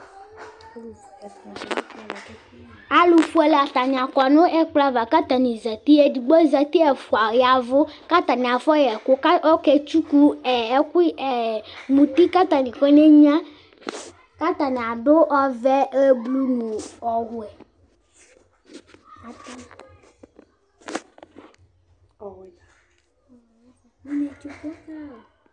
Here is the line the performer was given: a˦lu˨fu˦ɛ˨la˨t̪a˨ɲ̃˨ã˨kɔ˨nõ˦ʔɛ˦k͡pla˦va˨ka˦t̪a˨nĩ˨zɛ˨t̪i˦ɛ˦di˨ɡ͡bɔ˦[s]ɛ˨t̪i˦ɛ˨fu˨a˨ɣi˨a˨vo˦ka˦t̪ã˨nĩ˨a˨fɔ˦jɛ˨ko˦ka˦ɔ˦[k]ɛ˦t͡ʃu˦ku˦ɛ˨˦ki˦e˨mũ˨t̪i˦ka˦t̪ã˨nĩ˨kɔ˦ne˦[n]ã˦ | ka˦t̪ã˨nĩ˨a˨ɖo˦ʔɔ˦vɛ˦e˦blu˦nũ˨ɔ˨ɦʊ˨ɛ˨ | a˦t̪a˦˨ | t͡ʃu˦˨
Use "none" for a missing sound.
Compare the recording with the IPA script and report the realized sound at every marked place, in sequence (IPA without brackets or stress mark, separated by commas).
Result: z, k, ɲ